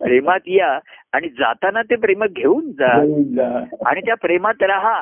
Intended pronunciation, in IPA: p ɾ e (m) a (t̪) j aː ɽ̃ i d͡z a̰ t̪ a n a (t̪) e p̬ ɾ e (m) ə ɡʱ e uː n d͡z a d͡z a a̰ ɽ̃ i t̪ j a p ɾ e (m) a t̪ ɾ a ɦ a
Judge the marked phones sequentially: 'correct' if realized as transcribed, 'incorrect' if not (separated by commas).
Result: correct, correct, correct, correct, correct